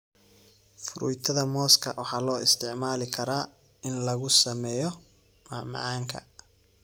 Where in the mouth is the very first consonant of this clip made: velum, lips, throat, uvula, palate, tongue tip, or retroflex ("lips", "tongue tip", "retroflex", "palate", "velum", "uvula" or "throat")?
lips